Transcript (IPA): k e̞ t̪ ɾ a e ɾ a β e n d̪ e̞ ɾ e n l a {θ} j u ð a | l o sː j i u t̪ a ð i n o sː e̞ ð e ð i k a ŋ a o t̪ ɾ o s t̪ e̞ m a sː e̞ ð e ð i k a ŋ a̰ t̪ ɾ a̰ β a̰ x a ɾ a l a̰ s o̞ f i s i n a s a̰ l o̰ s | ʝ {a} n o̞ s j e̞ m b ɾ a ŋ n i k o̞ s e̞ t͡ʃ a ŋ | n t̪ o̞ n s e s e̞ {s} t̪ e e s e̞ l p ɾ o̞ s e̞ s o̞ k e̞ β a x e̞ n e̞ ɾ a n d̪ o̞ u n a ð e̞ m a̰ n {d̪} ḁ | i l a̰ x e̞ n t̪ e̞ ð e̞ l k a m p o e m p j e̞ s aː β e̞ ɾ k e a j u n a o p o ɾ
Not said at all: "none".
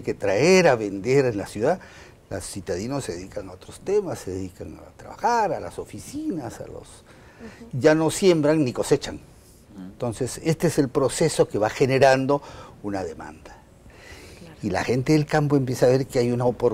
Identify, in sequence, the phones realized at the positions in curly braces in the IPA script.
s, a, s, d̪

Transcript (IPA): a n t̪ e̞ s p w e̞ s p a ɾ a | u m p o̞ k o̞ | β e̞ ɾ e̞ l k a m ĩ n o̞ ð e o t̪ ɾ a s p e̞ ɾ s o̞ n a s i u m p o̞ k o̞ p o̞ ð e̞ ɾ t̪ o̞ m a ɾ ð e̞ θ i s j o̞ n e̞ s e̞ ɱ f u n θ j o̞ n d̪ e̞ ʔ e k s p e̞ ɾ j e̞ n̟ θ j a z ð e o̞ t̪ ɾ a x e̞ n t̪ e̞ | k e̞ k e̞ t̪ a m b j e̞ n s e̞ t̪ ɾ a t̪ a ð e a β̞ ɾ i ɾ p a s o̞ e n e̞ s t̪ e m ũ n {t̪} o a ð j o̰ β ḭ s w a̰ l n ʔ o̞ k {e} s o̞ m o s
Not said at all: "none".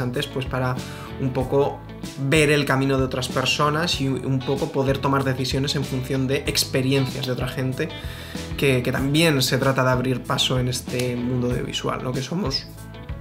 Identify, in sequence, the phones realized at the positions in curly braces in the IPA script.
d̪, e

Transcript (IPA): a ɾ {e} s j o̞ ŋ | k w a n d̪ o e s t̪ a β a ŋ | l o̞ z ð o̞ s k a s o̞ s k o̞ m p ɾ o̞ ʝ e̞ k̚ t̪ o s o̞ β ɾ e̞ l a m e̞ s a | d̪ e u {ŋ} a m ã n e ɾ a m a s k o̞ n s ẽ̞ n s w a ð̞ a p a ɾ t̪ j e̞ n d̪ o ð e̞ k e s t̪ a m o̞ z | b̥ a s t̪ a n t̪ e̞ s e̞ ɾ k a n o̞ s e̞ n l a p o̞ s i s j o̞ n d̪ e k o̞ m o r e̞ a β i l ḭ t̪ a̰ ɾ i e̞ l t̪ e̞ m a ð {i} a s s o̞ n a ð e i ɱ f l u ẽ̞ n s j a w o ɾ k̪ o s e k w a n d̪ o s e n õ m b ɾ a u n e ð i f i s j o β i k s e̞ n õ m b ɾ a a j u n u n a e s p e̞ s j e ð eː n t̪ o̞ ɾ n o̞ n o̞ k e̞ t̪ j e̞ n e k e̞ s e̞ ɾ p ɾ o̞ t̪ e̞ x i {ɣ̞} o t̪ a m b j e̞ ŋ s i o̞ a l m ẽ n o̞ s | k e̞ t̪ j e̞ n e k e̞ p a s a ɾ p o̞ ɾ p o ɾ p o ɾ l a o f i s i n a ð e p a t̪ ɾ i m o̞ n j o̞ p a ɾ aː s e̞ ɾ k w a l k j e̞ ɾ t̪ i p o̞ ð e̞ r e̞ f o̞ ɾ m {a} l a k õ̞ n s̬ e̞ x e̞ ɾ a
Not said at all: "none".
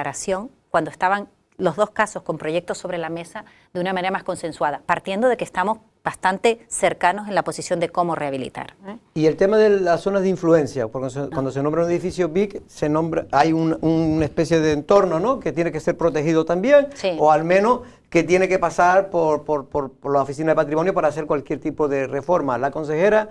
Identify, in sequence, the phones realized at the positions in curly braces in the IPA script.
a, n, e, ð̞, a

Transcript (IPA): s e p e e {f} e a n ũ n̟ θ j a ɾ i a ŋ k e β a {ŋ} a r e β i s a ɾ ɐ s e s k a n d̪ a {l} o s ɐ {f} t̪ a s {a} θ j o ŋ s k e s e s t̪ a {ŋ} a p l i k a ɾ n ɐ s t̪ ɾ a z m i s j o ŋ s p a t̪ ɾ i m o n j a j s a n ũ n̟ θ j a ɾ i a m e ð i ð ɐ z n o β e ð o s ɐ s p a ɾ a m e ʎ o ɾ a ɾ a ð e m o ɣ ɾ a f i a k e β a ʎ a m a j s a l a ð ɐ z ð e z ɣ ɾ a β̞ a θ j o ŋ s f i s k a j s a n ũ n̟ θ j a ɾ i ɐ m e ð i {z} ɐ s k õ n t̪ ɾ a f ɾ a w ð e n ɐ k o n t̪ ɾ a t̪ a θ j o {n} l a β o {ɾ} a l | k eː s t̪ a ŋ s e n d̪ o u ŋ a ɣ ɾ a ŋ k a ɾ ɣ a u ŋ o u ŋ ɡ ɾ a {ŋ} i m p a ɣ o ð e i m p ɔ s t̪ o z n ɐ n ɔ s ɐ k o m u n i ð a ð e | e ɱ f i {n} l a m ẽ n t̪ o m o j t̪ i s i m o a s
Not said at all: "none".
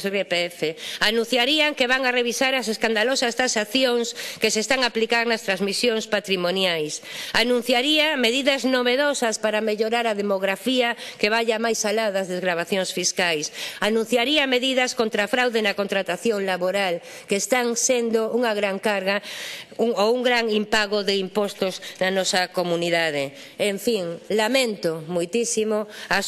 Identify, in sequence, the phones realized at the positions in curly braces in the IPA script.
f, ŋ, l, s, a, ŋ, ð, ŋ, ɾ, ŋ, ŋ

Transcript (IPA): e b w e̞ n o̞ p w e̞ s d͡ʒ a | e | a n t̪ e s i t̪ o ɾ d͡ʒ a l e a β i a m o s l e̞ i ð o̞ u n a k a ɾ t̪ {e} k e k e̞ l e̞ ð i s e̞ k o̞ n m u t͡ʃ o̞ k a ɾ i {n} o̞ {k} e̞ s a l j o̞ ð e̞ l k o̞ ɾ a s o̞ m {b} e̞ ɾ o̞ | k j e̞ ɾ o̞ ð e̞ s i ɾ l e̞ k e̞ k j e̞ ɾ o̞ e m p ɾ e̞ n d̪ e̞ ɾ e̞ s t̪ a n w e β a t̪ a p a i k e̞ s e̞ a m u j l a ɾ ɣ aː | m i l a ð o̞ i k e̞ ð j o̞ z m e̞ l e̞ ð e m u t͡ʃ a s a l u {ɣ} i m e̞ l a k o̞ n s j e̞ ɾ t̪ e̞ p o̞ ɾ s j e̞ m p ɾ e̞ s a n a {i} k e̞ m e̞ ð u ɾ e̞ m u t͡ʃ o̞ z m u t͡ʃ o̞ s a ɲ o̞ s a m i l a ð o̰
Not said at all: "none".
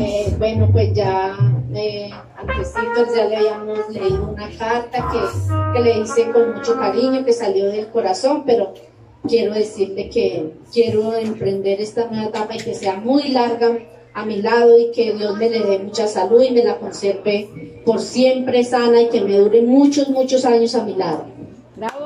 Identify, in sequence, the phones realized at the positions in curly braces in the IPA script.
a, ɲ, k, p, ð, i

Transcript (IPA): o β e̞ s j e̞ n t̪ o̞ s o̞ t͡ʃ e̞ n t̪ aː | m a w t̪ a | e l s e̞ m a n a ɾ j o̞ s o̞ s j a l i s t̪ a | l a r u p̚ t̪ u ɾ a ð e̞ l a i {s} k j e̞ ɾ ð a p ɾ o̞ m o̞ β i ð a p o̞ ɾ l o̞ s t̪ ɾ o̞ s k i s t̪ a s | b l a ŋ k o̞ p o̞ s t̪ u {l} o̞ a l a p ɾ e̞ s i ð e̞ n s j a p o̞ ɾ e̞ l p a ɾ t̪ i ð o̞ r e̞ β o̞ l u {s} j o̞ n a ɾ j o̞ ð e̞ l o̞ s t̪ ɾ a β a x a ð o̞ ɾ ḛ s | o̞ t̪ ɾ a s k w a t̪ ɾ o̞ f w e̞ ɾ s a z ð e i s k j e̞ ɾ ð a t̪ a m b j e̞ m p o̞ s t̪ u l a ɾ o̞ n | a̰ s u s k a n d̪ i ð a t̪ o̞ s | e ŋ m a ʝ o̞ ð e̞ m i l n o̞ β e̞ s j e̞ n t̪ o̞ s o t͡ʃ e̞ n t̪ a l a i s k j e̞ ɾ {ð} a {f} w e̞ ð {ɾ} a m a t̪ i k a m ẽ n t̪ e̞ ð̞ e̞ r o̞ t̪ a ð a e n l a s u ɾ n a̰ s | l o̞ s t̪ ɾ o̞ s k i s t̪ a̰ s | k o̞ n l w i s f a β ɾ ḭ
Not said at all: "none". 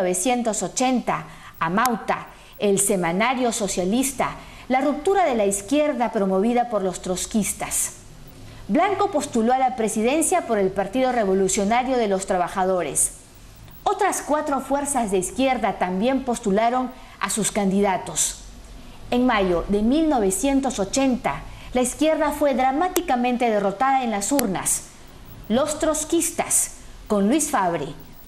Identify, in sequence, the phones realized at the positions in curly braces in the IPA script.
s, l, s, ð, f, ɾ

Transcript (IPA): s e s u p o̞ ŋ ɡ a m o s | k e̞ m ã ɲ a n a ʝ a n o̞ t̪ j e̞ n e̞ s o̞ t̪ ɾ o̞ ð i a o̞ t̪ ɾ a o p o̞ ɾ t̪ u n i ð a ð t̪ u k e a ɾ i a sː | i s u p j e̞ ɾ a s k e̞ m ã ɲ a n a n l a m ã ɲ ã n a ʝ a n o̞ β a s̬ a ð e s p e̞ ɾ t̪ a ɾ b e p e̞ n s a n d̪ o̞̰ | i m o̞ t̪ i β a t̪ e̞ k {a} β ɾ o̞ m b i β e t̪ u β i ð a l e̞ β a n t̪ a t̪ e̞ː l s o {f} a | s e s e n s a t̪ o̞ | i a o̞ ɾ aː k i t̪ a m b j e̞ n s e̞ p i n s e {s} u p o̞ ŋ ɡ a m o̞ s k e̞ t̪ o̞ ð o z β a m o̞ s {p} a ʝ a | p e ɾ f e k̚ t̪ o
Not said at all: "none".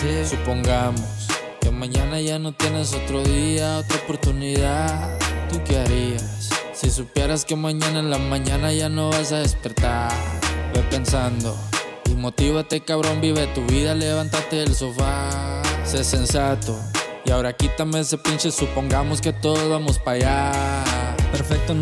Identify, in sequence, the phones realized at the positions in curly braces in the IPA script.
a, f, s, p

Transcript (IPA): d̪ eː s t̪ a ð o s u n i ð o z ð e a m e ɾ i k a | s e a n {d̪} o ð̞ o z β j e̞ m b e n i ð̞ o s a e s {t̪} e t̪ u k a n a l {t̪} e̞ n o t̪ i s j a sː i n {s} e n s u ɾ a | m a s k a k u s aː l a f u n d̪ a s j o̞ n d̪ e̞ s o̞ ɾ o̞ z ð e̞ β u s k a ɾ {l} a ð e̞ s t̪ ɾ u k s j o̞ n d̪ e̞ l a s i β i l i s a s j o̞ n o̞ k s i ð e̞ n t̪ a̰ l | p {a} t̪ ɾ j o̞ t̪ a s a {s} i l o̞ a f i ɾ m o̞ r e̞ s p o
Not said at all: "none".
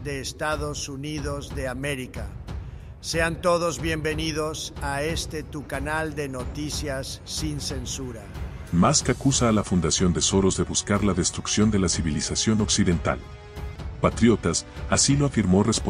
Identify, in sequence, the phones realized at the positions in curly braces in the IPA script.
t̪, t̪, d̪, s, l, a, s

